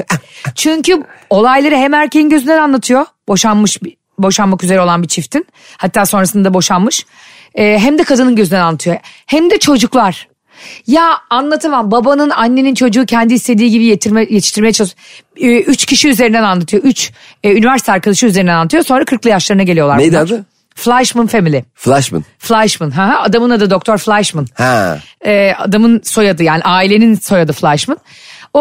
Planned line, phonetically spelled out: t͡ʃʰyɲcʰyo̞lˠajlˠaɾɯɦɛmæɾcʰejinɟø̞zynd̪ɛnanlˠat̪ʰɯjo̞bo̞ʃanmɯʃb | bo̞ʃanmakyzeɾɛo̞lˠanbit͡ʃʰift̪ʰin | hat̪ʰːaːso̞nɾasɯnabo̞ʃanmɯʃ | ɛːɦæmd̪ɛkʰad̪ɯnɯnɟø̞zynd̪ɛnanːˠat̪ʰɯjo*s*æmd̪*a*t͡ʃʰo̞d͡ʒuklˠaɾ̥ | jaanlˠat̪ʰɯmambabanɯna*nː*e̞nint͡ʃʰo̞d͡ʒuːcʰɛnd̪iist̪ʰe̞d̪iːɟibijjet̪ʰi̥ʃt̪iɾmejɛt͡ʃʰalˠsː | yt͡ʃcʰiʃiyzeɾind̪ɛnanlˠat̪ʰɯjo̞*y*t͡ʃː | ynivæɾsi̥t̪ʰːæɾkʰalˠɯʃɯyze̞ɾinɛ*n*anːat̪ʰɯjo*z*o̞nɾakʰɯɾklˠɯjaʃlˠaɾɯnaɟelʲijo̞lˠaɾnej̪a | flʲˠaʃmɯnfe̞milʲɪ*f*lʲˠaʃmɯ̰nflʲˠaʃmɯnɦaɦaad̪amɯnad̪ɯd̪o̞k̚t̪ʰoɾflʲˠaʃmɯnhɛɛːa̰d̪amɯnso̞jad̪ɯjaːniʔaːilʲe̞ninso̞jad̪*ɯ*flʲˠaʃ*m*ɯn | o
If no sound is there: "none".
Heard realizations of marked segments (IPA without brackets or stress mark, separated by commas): h, ɛ, nː, y, n, s, f, ɯ, m